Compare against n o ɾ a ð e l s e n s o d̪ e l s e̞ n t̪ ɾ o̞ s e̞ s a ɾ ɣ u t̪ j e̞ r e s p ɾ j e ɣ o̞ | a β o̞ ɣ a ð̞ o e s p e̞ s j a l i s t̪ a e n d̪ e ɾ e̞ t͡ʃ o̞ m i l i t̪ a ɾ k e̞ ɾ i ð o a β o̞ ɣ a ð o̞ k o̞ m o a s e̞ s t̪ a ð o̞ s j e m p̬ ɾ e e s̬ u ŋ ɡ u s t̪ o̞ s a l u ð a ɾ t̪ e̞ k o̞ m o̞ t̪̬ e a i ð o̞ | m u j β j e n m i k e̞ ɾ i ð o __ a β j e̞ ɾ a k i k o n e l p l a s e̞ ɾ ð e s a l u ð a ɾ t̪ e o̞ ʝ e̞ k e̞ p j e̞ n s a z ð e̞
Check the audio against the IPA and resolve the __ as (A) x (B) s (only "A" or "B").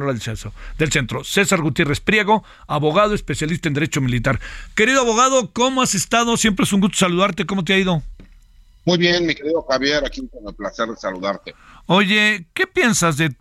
A